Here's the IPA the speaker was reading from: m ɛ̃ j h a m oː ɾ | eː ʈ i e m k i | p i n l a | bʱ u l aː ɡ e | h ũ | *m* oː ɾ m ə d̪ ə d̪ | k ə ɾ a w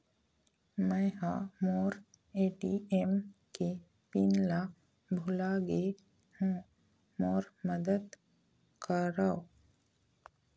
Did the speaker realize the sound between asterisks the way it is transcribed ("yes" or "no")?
yes